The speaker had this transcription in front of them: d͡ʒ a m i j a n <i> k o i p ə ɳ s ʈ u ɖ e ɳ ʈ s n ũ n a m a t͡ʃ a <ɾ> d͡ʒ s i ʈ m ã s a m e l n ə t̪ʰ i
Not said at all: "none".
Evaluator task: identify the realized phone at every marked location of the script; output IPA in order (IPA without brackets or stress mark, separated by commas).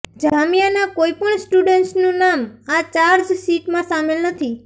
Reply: a, ɾ